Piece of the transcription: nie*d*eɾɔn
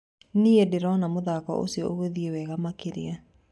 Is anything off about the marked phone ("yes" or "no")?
no